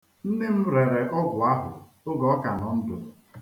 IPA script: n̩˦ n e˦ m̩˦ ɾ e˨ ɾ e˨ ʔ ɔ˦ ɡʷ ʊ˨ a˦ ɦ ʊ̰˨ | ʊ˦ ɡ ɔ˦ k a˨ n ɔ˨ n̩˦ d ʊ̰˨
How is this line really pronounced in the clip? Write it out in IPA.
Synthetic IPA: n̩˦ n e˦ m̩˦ ɾ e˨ ɾ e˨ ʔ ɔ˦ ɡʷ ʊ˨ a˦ ɦ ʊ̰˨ | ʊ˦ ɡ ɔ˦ k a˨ n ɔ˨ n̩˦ d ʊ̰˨